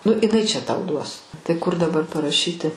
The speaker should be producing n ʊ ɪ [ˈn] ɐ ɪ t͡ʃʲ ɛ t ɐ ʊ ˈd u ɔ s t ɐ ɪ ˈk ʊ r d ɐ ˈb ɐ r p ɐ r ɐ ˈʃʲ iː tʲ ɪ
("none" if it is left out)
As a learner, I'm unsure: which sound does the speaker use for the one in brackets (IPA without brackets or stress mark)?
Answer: n